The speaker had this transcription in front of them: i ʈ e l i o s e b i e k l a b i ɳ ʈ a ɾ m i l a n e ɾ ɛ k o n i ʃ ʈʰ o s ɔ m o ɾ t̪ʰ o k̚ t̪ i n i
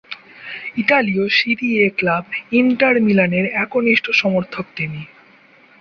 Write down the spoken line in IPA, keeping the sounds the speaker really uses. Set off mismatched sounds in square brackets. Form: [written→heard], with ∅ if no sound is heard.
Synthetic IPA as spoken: i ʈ [e→a] l i o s [e→i] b i e k l a b i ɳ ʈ a ɾ m i l a n e ɾ ɛ k o n i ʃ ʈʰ o [s→ʃ] ɔ m o ɾ t̪ʰ o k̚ t̪ i n i